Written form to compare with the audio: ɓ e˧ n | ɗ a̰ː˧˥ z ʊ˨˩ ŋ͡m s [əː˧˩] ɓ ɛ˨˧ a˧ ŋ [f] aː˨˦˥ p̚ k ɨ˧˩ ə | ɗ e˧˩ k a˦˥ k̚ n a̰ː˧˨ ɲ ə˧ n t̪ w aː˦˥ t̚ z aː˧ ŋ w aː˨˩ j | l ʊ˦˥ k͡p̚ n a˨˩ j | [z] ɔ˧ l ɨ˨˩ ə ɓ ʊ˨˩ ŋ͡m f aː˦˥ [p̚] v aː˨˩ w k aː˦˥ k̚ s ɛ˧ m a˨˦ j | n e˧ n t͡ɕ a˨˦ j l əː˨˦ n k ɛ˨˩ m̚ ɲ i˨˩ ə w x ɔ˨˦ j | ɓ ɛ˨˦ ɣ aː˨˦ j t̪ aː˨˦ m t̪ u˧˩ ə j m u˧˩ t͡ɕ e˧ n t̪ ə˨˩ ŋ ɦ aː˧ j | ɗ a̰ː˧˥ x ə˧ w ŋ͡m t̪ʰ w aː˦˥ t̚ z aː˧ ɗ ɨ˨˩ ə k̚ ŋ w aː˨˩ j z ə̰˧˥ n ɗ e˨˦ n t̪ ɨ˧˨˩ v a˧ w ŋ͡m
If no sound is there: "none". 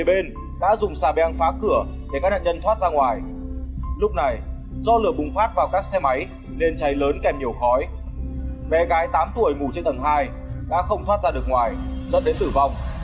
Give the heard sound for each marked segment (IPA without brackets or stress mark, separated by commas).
aː˧˩, f, z, t̚